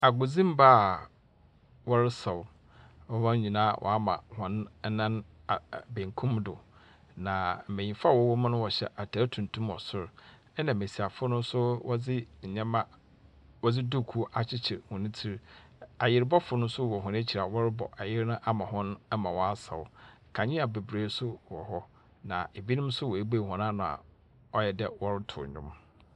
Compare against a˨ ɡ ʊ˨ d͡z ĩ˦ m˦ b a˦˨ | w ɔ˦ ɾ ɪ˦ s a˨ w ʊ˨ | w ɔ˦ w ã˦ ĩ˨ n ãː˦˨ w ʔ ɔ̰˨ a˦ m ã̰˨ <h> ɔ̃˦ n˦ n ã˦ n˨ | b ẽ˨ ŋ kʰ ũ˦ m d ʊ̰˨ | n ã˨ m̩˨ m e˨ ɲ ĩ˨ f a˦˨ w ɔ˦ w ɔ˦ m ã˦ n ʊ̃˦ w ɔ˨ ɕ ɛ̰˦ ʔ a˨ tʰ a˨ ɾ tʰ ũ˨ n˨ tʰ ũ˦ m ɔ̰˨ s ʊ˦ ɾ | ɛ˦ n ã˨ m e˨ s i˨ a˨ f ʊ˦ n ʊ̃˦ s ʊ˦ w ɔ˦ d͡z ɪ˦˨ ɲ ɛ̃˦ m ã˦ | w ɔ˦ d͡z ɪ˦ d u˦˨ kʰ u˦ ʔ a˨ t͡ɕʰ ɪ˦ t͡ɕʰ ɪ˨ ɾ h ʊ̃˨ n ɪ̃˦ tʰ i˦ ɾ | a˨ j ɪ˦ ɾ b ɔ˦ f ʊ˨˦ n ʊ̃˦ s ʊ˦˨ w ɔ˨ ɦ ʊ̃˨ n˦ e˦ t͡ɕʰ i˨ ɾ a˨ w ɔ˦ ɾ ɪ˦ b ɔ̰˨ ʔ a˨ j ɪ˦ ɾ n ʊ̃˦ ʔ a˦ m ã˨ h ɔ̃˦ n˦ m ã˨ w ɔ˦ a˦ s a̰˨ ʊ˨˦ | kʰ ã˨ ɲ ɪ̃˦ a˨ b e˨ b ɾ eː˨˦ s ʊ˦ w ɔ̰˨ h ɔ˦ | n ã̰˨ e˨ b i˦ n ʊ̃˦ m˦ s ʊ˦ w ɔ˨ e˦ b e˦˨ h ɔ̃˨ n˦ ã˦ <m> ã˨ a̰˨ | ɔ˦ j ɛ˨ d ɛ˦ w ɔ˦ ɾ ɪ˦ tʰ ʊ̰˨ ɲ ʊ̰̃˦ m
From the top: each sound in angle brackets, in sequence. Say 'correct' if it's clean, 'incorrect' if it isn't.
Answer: correct, incorrect: n

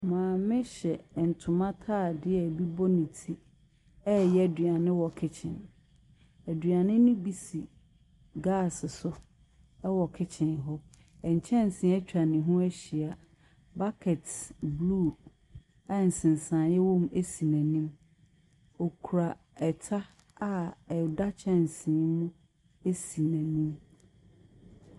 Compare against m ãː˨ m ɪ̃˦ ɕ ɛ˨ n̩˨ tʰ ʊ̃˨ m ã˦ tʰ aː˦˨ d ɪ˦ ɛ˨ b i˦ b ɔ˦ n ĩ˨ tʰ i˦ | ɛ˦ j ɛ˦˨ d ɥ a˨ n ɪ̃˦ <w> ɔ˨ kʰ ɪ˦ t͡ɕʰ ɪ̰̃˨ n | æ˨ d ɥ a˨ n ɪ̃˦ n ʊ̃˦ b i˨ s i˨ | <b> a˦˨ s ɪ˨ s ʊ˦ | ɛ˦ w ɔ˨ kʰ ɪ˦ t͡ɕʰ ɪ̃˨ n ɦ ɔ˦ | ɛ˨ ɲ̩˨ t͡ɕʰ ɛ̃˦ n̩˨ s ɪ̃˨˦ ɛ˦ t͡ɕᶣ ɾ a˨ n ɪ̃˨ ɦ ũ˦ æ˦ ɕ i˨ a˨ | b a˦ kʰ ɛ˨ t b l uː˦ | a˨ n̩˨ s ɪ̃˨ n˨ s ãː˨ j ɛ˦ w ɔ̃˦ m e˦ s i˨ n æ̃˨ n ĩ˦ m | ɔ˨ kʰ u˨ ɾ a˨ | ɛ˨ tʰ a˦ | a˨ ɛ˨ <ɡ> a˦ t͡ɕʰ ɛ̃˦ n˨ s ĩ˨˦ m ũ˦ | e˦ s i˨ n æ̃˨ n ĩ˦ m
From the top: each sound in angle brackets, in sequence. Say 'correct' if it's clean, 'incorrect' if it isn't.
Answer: correct, incorrect: ɡ, incorrect: d

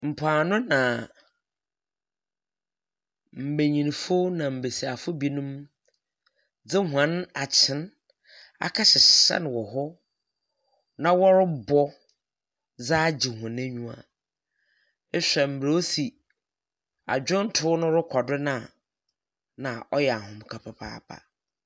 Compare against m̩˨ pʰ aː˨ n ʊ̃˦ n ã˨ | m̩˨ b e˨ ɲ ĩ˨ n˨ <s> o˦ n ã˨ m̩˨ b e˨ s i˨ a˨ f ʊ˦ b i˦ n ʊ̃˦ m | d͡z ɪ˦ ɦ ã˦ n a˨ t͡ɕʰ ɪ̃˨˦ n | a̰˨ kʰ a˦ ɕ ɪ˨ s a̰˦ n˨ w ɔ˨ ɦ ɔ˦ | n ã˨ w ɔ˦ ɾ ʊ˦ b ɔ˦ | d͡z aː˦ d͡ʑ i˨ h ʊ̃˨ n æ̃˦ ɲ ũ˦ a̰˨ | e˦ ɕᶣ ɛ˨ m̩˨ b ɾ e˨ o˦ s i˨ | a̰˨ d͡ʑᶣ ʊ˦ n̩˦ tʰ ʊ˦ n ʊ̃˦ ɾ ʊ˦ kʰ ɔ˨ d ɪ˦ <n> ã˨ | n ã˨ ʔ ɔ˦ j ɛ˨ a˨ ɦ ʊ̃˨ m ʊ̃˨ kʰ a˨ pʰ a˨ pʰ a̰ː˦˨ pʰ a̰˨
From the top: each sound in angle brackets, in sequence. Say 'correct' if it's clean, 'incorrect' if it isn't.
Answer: incorrect: f, correct

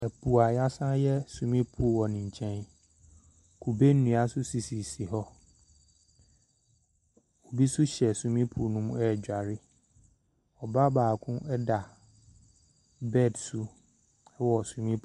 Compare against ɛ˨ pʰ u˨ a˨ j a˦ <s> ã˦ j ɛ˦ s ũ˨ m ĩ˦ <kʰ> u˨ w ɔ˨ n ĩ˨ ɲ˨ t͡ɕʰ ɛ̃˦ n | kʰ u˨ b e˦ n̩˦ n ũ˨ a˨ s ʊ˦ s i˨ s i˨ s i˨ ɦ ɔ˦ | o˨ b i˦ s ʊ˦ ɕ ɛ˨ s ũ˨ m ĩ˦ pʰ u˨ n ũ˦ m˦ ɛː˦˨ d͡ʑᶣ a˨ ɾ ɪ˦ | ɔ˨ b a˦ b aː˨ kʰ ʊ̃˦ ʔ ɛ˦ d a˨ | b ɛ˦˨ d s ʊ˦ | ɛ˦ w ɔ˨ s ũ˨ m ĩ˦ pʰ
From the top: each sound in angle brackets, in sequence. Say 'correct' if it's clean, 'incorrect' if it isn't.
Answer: correct, incorrect: pʰ

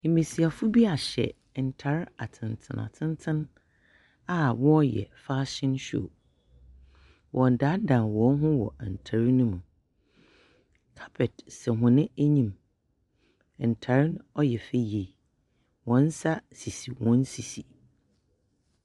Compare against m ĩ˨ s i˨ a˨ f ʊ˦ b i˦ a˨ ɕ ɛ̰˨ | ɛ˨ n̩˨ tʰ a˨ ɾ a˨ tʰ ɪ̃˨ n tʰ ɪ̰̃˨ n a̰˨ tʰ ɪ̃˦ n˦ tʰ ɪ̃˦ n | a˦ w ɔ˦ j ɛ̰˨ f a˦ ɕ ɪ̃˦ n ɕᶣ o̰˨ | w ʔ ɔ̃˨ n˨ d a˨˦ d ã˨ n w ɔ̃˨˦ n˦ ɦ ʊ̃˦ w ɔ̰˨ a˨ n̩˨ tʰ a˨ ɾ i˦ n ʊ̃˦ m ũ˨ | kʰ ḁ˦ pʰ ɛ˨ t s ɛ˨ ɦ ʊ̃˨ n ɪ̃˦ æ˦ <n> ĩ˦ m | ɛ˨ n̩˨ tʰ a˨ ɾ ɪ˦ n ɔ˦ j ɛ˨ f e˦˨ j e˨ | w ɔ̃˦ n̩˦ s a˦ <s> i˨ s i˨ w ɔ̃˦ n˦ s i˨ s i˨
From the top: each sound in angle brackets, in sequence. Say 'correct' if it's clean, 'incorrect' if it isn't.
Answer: incorrect: ɲ, correct

